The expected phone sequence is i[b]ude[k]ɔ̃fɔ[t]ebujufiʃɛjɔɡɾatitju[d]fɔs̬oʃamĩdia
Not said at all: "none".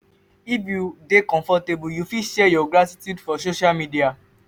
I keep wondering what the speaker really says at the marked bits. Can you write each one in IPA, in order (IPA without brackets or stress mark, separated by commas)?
b, k, t, d